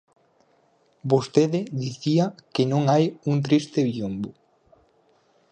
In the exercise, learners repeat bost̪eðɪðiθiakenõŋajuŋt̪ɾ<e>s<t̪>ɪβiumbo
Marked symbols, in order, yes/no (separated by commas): no, yes